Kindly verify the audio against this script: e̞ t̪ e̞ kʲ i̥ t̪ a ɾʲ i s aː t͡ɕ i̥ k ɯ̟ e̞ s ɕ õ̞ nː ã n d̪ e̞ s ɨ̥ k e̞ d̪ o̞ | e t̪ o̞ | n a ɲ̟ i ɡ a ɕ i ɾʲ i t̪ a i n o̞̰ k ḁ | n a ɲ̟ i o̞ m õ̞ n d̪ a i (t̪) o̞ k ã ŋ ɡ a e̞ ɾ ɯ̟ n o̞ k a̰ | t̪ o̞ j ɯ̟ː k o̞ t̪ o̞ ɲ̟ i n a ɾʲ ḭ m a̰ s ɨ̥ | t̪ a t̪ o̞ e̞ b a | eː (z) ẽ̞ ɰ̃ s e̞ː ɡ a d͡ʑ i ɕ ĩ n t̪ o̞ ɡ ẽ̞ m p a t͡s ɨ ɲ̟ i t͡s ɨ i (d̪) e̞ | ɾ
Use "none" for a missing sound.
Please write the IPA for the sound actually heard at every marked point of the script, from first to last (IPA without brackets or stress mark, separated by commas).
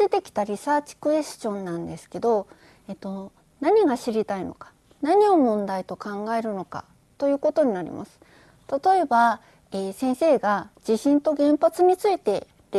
t̪, s, t̪